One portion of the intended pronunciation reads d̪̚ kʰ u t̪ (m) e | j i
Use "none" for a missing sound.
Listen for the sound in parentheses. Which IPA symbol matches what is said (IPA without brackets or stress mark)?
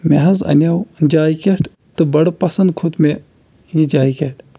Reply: m